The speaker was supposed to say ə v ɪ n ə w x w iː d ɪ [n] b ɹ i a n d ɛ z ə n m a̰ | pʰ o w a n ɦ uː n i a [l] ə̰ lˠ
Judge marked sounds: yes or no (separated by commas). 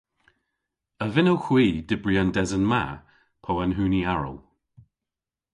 no, no